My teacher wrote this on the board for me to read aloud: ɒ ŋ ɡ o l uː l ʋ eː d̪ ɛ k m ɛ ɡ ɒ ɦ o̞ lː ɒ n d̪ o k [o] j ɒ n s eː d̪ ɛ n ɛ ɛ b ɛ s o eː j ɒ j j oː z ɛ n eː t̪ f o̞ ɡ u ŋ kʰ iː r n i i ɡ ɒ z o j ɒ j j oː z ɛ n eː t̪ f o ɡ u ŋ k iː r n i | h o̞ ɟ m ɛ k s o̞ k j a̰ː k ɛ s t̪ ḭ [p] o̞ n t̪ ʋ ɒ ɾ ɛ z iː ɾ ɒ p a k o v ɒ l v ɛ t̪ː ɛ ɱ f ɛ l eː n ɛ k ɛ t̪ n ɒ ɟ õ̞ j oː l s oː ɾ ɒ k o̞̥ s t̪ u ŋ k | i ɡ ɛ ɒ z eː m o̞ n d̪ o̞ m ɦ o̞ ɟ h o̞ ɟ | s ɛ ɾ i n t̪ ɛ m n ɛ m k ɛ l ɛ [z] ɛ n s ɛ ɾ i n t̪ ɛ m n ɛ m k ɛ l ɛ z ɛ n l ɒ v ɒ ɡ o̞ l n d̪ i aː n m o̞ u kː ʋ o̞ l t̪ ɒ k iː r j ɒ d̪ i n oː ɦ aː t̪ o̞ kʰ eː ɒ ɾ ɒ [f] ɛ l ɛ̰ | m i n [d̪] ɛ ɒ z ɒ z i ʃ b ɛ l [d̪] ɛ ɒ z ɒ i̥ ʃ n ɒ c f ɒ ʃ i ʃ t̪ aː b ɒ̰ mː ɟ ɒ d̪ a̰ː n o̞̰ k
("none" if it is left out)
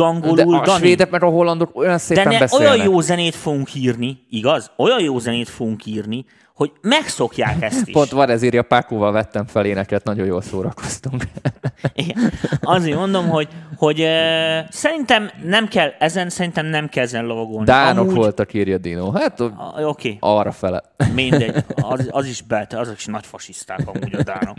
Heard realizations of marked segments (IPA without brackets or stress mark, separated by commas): o, p, z, f, d̪, t̪